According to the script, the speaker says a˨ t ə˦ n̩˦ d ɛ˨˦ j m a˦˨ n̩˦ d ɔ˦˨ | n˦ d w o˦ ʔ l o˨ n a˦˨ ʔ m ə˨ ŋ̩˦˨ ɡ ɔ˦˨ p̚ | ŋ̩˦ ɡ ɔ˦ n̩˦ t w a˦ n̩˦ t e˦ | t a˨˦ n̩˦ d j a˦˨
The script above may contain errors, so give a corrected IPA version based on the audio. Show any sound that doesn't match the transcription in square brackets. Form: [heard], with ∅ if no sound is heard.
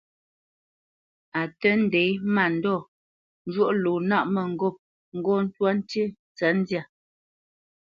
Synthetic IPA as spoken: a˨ t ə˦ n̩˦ d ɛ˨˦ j m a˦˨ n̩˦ d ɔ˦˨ | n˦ [d͡ʒ] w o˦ ʔ l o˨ n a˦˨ ʔ m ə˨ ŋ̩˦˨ ɡ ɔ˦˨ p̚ | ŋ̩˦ ɡ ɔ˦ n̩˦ t w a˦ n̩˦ t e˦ | [t͡s] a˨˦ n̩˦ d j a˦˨